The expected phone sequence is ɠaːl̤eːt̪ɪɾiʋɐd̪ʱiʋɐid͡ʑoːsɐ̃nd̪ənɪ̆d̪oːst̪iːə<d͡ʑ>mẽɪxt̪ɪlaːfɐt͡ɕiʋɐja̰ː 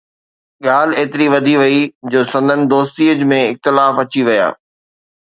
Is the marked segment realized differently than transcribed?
no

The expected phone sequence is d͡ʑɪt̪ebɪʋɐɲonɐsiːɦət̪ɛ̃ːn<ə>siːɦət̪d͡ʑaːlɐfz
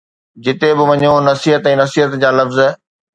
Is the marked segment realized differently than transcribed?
yes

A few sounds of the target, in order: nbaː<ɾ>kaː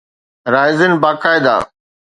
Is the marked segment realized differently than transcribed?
yes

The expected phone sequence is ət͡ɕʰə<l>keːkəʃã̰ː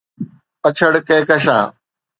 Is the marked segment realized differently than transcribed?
yes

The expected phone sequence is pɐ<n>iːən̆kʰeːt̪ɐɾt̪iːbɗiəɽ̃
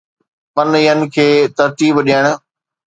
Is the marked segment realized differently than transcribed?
no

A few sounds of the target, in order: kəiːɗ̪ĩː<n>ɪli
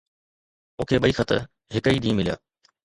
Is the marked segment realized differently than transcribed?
yes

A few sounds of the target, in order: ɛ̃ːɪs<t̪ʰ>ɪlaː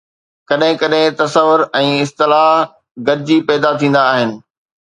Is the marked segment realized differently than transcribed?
yes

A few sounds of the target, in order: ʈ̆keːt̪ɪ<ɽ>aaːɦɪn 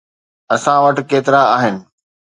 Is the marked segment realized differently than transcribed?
yes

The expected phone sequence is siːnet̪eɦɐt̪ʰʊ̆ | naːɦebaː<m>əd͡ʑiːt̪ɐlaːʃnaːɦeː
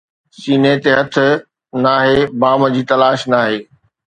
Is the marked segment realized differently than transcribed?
no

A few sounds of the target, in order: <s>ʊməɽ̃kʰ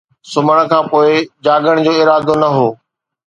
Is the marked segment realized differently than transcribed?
no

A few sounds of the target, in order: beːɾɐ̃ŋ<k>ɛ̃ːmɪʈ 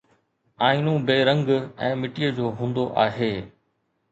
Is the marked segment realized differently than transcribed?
yes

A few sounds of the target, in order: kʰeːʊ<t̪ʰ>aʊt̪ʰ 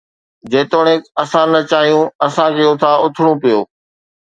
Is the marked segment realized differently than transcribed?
no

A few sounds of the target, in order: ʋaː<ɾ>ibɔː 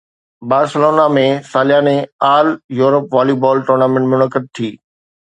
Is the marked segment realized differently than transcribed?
yes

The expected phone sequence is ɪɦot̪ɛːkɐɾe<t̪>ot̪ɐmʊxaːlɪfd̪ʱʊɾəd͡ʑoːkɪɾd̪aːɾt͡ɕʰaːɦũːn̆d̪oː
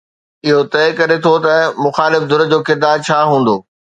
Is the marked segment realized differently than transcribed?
yes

